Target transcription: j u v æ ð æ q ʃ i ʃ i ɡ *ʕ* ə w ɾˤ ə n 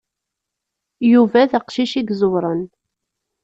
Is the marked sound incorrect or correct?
incorrect: z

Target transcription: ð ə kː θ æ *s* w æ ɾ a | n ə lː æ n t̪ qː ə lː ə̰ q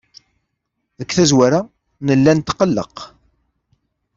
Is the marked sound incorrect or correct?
incorrect: z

